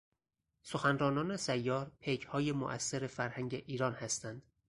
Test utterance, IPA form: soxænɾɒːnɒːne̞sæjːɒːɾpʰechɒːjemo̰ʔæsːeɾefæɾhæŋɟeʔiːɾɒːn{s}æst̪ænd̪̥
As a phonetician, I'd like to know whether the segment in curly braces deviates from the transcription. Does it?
yes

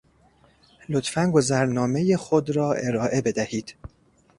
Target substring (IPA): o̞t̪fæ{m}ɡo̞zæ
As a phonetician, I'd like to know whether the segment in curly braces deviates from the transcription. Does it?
yes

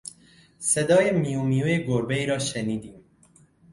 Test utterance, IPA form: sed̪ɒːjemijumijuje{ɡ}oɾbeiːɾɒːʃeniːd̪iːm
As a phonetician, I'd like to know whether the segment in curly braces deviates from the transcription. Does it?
no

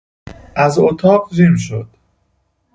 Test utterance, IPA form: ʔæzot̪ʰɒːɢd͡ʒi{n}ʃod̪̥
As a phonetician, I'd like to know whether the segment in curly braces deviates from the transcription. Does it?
yes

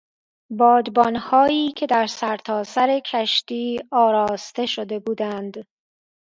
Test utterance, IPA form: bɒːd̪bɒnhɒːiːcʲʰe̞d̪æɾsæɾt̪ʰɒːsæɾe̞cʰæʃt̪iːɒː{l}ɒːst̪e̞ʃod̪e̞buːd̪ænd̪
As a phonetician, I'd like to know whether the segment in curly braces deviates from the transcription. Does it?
yes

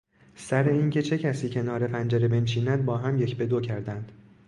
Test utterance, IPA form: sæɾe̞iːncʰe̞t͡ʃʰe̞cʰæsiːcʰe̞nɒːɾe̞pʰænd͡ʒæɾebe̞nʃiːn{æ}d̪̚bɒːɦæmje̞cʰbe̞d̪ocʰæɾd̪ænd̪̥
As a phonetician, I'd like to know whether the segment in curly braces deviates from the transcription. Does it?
no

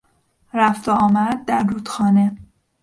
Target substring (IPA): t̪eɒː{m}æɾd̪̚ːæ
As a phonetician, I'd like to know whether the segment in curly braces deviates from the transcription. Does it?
no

